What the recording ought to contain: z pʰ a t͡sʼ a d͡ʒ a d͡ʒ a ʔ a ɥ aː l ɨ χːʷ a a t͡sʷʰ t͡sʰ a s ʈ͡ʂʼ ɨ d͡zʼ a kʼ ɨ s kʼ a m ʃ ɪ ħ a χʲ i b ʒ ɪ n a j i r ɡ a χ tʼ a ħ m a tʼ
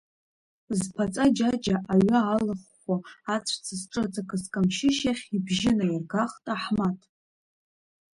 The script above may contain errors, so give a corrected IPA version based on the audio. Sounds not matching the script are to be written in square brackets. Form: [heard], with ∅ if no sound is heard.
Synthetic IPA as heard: z pʰ a t͡sʼ a d͡ʒ a d͡ʒ a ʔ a ɥ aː l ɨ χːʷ a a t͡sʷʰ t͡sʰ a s ʈ͡ʂʼ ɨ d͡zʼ a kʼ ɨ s kʼ a m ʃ ɪ [ʃ] a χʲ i b ʒ ɪ n a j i r ɡ a χ tʼ a ħ m a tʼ